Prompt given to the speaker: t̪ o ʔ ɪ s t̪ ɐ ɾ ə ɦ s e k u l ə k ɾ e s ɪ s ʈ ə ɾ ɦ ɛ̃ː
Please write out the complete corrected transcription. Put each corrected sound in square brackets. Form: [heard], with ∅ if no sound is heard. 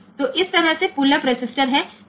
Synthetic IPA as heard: t̪ o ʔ ɪ s t̪ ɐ ɾ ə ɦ s e [p] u l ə [p] ɾ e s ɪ s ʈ ə ɾ ɦ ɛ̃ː